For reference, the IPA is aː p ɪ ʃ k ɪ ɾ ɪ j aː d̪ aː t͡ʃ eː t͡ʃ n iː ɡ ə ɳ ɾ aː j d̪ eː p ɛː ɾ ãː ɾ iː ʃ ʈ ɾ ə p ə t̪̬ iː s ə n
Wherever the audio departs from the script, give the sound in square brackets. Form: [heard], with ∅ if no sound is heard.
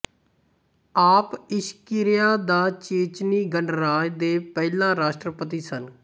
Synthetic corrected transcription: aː p ɪ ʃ k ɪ ɾ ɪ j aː d̪ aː t͡ʃ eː t͡ʃ n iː ɡ ə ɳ ɾ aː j d̪ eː p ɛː [l] ãː ɾ [aː] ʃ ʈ ɾ ə p ə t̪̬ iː s ə n

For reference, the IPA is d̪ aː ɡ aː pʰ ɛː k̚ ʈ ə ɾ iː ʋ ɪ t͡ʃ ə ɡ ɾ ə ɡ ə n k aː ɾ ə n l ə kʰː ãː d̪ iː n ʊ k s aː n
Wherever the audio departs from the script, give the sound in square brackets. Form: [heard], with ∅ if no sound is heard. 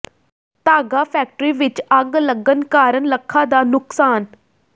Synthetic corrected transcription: [t̪] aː ɡ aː pʰ ɛː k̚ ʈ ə ɾ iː ʋ ɪ t͡ʃ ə ɡ [l] ə ɡ ə n k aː ɾ ə n l ə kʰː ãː d̪ [aː] n ʊ k s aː n

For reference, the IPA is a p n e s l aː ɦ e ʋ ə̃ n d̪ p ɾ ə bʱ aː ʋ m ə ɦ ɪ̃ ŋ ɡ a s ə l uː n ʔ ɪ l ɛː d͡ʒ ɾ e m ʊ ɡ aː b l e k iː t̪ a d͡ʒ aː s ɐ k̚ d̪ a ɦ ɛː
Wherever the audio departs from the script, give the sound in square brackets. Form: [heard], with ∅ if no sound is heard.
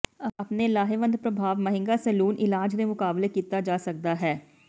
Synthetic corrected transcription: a p n e [∅] l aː ɦ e ʋ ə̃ n d̪ p ɾ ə bʱ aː ʋ m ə ɦ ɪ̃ ŋ ɡ a s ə l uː n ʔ ɪ l [aː] d͡ʒ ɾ e m ʊ [k] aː b l e k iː t̪ a d͡ʒ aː s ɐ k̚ d̪ a ɦ ɛː

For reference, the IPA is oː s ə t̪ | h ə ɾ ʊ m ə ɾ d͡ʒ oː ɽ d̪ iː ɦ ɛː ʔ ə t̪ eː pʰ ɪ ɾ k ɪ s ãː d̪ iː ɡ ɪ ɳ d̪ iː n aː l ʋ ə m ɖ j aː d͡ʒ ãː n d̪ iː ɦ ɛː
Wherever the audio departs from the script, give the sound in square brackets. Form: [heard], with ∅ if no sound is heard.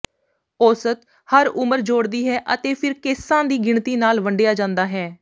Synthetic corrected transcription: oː s ə t̪ | h ə ɾ ʊ m ə ɾ d͡ʒ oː ɽ d̪ iː ɦ ɛː ʔ ə t̪ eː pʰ ɪ ɾ k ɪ s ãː d̪ iː ɡ ɪ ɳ [t̪] iː n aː l ʋ ə [ɳ] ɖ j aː d͡ʒ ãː n d̪ [aː] ɦ ɛː

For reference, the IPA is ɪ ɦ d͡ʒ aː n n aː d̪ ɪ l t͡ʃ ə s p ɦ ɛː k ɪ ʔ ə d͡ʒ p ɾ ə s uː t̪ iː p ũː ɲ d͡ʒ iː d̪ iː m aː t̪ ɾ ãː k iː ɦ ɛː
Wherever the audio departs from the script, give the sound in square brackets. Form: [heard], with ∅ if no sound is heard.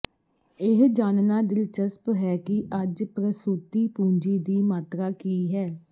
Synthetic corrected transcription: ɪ ɦ d͡ʒ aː n n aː d̪ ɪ l t͡ʃ ə s p ɦ ɛː k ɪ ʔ ə d͡ʒ p ɾ ə s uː t̪ iː p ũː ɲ d͡ʒ iː d̪ iː m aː t̪ ɾ [aː] k iː ɦ ɛː

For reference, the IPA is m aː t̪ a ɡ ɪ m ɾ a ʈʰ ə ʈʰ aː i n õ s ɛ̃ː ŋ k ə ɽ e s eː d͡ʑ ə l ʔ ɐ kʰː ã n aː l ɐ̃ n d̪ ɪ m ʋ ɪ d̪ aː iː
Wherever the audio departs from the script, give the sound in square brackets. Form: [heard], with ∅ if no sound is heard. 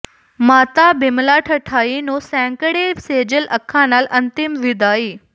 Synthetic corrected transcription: m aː t̪ a [b] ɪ m [l] a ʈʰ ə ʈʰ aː i n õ s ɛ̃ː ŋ k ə ɽ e s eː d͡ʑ ə l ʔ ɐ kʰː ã n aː l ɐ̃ n [t̪] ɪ m ʋ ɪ d̪ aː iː

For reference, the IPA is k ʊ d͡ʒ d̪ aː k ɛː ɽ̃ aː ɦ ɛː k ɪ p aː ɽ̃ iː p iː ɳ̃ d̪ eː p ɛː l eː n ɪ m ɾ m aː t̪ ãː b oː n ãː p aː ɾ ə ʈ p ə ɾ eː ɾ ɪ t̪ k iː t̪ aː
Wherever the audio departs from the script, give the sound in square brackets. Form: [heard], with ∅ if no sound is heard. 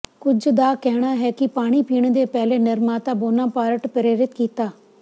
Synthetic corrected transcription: k ʊ d͡ʒ d̪ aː k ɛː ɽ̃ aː ɦ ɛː k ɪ p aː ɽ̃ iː p iː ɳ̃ d̪ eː p ɛː l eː n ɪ [∅] ɾ m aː t̪ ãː b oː n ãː p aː ɾ ə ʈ p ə ɾ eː ɾ ɪ t̪ k iː t̪ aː

